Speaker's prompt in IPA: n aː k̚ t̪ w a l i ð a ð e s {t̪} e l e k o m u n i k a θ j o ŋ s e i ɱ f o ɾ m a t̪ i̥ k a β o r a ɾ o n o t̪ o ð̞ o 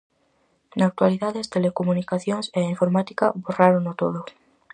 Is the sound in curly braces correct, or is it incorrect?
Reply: correct